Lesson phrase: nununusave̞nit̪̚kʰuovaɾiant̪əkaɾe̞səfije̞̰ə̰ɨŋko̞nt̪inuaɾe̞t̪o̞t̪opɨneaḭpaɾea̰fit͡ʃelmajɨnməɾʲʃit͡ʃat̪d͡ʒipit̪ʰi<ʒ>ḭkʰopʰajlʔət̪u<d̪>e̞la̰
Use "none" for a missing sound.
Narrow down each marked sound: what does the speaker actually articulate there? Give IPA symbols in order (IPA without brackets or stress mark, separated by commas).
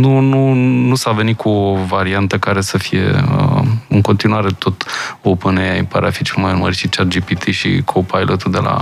ʃ, d̪